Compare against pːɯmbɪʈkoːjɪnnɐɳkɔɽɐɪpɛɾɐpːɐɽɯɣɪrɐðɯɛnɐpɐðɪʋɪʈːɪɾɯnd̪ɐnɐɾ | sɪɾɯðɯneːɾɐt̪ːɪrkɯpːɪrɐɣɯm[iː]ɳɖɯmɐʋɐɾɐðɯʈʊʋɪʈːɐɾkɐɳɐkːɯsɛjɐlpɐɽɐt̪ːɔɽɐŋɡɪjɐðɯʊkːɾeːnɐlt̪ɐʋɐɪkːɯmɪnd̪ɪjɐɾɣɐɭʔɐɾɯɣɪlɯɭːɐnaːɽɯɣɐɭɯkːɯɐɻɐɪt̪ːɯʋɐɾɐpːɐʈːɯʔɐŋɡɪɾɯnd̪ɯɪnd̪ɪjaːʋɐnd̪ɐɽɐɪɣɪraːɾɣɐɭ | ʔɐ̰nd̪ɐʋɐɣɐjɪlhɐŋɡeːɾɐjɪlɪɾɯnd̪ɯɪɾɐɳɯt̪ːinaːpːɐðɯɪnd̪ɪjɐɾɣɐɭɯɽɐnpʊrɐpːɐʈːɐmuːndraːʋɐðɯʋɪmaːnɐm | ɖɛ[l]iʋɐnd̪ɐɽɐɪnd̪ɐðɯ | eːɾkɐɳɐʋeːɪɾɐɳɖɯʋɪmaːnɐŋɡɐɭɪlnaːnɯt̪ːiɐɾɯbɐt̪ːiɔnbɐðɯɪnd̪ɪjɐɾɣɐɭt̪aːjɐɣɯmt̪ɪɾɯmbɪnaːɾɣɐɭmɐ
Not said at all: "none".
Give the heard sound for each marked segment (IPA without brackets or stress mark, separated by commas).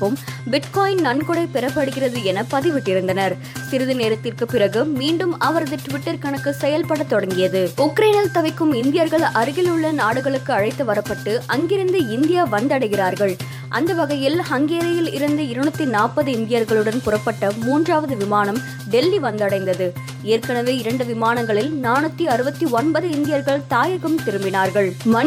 iː, lː